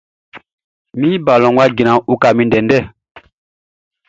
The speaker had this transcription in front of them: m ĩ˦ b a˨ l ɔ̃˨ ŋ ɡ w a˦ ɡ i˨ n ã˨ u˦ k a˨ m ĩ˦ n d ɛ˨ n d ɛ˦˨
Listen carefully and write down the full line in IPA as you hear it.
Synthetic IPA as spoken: m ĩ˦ b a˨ l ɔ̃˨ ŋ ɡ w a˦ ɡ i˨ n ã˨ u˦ k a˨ m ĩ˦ n d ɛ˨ n d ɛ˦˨